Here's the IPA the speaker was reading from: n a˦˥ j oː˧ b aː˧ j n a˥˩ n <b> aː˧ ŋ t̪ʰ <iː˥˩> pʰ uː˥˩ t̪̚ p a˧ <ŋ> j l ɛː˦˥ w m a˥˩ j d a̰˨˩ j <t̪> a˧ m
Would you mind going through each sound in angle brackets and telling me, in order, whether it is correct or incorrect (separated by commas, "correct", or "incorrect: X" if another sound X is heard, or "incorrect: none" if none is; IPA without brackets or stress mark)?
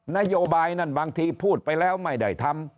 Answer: correct, incorrect: iː˧, incorrect: none, incorrect: t̪ʰ